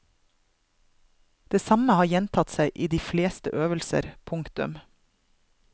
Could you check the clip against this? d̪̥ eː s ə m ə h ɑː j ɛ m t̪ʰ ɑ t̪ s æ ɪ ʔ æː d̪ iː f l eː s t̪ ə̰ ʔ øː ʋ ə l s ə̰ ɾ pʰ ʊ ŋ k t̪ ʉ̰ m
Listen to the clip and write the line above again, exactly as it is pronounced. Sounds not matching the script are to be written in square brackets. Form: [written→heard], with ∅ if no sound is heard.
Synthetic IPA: d̪̥ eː s [ə→ɑ] m ə h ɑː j ɛ [m→n] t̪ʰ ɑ t̪ s æ ɪ ʔ [æː→iː] d̪ iː f l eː s t̪ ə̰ ʔ øː ʋ ə l s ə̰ ɾ pʰ ʊ ŋ k t̪ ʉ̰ m

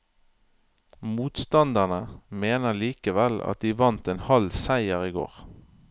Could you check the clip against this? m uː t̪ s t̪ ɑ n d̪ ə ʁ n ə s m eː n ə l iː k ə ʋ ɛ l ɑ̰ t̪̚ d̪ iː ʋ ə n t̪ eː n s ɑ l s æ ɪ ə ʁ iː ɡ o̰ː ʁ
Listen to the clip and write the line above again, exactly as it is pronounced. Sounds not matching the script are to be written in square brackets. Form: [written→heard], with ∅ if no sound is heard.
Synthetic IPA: m uː t̪ s t̪ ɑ n d̪ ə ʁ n ə [s→∅] m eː n ə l iː k ə ʋ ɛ l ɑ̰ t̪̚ d̪ iː ʋ [ə→ɑ] n t̪ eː n [s→h] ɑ l s æ ɪ ə ʁ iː ɡ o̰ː ʁ

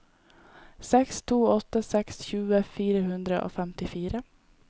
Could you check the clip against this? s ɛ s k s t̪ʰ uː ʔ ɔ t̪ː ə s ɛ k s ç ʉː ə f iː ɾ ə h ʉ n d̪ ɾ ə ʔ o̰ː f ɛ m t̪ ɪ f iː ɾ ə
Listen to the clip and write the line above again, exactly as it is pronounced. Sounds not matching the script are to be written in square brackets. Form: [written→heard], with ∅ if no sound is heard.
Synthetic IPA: s ɛ [s→∅] k s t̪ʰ uː [ʔ→∅] ɔ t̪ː ə s ɛ k s ç ʉː ə f iː ɾ ə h ʉ n d̪ ɾ ə ʔ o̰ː f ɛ m t̪ ɪ f iː ɾ ə

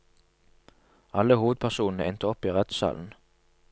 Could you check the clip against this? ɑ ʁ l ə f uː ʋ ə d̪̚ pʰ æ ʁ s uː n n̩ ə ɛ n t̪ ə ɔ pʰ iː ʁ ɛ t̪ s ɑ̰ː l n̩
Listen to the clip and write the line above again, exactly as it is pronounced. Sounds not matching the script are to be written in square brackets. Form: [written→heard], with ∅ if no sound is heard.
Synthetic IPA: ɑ [ʁ→∅] l ə [f→h] uː ʋ ə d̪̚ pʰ æ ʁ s uː n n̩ ə ɛ n t̪ ə ɔ [pʰ→p] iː ʁ ɛ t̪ s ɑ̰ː l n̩

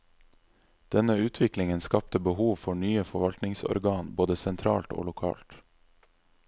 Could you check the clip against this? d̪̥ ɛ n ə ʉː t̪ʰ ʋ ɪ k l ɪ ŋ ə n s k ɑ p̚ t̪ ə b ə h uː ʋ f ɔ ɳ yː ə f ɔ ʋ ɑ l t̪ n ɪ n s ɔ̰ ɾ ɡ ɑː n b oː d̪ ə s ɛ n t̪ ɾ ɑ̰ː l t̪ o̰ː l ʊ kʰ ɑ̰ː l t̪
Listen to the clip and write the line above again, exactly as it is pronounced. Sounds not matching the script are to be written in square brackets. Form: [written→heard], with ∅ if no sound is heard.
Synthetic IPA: d̪̥ ɛ n ə ʉː t̪ʰ ʋ ɪ k l ɪ ŋ ə n s k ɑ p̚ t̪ ə b ə h uː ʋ f ɔ ɳ yː ə f ɔ ʋ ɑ l t̪ n ɪ [n→ŋ] s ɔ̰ ɾ ɡ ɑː n b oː d̪ ə s ɛ n [t̪→t̪ʰ] ɾ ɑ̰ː l t̪ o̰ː l ʊ kʰ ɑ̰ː l t̪

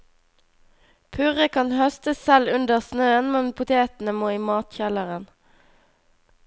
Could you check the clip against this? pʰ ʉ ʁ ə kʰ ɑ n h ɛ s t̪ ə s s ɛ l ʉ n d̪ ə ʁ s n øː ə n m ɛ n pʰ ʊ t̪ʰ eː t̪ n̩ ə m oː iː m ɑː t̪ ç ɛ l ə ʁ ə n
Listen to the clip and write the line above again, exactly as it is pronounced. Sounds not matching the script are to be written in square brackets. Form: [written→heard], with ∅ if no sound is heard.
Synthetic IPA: pʰ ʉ ʁ ə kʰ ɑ n h [ɛ→œ] s t̪ ə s s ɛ l ʉ n d̪ ə ʁ s n øː ə n m ɛ n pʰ ʊ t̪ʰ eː t̪ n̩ ə m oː iː m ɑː t̪ ç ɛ l ə ʁ ə n

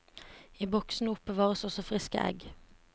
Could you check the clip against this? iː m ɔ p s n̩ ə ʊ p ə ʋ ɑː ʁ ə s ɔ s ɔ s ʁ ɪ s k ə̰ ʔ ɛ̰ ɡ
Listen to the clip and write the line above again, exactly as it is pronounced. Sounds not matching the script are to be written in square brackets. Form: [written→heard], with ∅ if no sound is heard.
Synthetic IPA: iː [m→b] ɔ [p→k] s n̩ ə ʊ p ə ʋ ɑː ʁ ə s ɔ s ɔ [s→f] ʁ ɪ s k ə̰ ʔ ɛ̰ ɡ

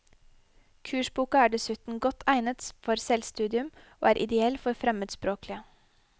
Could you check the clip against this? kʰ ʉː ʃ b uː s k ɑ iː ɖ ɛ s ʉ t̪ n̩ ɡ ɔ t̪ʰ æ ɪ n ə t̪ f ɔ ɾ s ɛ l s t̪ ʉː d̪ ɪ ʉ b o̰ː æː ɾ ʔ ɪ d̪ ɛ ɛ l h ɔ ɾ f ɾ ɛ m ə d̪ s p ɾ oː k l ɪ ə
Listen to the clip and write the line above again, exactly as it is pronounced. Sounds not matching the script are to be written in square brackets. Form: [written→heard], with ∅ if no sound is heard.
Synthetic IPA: kʰ ʉː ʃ b uː [s→∅] k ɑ [iː→æː] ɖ ɛ s ʉ t̪ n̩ ɡ ɔ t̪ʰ æ ɪ n ə t̪ f ɔ ɾ s ɛ l s t̪ ʉː d̪ ɪ ʉ [b→m] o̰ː æː ɾ ʔ ɪ d̪ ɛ ɛ l [h→f] ɔ ɾ f ɾ ɛ m ə d̪ s p ɾ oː k l ɪ ə

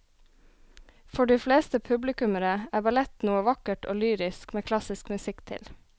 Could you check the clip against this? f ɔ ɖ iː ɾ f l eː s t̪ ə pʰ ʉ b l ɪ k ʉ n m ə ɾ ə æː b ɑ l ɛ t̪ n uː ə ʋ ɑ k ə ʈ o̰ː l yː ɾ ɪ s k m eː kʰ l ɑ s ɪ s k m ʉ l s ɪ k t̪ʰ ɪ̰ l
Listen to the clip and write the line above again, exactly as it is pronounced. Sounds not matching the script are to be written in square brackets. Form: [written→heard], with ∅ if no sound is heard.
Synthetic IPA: f ɔ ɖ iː [ɾ→∅] f l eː s t̪ ə pʰ ʉ b l ɪ k ʉ [n→∅] m ə ɾ ə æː b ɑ l ɛ t̪ n uː ə ʋ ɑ k ə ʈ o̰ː l yː ɾ ɪ s k m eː kʰ l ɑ s ɪ s k m ʉ [l→∅] s ɪ k t̪ʰ ɪ̰ l

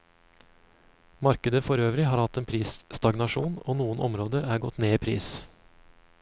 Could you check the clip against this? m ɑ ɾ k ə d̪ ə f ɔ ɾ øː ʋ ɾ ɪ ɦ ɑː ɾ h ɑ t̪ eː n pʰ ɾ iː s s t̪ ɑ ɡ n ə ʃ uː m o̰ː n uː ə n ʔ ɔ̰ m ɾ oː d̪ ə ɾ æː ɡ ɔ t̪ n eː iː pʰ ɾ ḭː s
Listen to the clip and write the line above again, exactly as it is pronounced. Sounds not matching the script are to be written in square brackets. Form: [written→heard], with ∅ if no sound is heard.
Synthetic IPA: m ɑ ɾ k ə d̪ ə f ɔ ɾ øː ʋ ɾ ɪ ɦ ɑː ɾ h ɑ t̪ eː n pʰ ɾ iː s s t̪ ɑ ɡ n [ə→ɑ] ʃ uː [m→n] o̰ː n uː ə n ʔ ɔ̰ m ɾ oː d̪ ə ɾ æː ɡ ɔ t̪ n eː iː pʰ ɾ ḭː s

